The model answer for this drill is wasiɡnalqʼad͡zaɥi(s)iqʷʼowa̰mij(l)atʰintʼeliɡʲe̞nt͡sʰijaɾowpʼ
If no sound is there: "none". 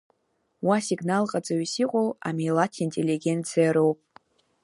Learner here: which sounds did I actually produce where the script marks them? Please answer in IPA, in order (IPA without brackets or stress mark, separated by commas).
s, l